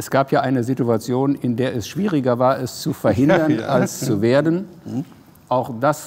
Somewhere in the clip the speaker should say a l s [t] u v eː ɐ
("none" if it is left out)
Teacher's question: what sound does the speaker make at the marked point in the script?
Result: t͡s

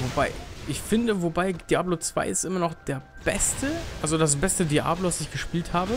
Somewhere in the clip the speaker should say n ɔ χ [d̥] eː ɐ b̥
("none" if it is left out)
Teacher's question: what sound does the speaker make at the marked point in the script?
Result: d̥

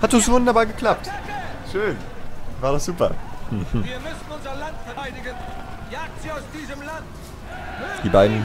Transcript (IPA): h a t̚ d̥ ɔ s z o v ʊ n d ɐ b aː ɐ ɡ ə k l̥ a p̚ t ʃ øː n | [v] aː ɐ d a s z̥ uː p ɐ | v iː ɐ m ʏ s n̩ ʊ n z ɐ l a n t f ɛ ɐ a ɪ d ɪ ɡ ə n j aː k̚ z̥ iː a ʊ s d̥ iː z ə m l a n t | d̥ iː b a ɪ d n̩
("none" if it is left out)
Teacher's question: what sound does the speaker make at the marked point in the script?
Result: v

